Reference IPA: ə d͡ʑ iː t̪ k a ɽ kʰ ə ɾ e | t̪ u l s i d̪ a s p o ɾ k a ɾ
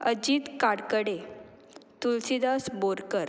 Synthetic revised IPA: ə d͡ʑ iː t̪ k a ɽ k ə ɽ e | t̪ u l s i d̪ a s b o ɾ k ə ɾ